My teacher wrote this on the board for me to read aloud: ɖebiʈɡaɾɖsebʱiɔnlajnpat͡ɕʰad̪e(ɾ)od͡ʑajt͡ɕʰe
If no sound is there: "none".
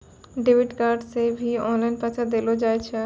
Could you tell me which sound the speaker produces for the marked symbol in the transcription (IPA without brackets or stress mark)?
l